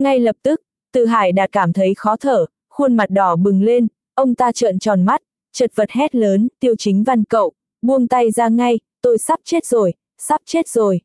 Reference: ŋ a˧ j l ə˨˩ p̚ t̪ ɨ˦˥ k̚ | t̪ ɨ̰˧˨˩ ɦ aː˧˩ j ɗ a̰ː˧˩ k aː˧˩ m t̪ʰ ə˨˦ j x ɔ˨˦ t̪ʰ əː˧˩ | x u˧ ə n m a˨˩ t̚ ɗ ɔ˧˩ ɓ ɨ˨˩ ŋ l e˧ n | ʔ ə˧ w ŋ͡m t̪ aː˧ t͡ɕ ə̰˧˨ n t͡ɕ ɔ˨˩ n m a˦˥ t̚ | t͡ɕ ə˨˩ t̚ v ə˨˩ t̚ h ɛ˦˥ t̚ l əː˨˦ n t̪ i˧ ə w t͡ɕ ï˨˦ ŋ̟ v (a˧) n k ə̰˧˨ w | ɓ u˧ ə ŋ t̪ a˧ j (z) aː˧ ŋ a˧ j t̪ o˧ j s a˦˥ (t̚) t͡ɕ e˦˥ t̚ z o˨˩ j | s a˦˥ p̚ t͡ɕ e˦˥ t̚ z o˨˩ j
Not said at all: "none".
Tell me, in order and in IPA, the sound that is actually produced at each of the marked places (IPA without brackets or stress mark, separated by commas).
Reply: a˧, z, p̚